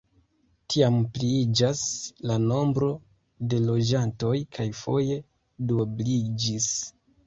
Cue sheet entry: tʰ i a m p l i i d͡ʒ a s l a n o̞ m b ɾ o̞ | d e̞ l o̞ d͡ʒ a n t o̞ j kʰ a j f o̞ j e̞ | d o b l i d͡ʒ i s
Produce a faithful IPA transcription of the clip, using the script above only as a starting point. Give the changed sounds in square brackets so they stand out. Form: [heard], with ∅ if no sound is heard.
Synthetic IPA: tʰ i a m p l i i d͡ʒ a s l a n o̞ m b ɾ o̞ | d e̞ l o̞ d͡ʒ a n t o̞ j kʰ a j f o̞ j e̞ | d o b l i d͡ʒ i s